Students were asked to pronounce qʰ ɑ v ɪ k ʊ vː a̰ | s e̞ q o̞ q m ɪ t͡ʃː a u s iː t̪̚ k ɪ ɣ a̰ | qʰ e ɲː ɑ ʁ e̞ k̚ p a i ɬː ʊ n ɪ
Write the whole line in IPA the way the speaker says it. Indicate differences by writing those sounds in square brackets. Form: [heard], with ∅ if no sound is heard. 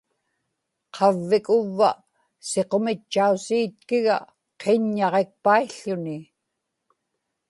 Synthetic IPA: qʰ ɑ [vː] ɪ k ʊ vː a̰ | s e̞ q o̞ [∅] m ɪ t͡ʃː a u s iː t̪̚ k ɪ ɣ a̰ | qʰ e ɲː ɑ ʁ e̞ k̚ p a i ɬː ʊ n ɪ